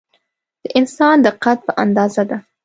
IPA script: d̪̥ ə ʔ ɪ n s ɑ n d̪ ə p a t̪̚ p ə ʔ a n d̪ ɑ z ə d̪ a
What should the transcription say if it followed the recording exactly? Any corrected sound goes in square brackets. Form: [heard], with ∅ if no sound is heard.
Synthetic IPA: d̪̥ ə ʔ ɪ n s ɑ n d̪ ə [q] a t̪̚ p ə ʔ a n d̪ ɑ z [a] d̪ a